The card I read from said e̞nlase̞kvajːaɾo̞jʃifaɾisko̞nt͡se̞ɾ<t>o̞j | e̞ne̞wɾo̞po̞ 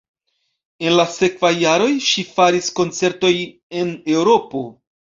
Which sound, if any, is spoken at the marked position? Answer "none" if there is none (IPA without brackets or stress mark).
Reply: t